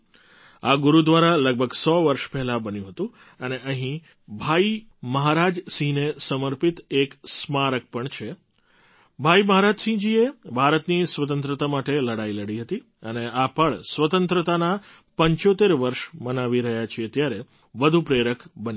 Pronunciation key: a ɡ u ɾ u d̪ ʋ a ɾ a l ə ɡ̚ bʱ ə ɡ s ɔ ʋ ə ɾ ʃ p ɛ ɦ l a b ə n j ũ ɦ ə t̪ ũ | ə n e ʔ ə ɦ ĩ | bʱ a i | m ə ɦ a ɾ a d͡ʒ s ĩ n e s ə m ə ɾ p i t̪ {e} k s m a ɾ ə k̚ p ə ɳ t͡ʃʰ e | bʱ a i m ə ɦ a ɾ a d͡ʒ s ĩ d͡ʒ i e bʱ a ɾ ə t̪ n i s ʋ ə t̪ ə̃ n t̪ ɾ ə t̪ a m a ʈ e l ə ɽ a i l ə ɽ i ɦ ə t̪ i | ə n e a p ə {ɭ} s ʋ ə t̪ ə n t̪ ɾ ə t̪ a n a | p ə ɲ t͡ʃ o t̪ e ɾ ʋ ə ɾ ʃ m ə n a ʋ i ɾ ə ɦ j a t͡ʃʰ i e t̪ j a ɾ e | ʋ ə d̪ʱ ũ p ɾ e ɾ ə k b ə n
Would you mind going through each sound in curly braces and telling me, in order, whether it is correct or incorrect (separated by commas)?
correct, correct